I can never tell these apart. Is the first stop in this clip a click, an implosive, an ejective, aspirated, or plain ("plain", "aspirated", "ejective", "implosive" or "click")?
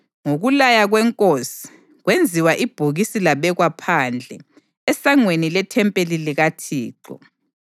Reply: ejective